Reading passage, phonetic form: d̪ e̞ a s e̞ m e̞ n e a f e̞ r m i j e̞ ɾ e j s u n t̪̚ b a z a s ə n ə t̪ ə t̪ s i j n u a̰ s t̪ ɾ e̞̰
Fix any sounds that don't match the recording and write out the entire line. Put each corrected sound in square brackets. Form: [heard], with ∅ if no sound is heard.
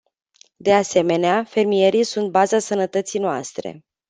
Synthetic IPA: d̪ e̞ a s e̞ m e̞ n e a f e̞ r m i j e̞ ɾ [i] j s u n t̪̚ b a z a s ə n ə t̪ ə t̪ s i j n [o] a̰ s t̪ ɾ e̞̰